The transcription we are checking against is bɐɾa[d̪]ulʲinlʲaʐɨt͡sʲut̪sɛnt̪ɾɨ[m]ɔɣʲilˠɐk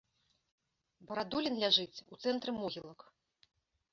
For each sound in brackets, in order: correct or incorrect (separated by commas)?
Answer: correct, correct